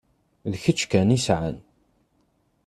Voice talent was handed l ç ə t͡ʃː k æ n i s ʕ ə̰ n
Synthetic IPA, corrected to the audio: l ç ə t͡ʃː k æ n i s ʕ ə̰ n